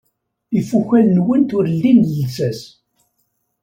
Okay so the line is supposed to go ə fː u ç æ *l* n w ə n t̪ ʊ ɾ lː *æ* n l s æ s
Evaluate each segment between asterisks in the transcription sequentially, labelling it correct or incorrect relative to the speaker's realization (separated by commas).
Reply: correct, incorrect